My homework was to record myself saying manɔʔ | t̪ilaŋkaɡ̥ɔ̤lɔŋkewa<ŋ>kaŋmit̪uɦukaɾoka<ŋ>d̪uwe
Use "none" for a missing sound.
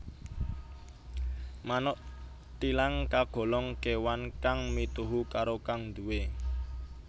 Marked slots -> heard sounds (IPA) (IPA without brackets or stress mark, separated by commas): n, ŋ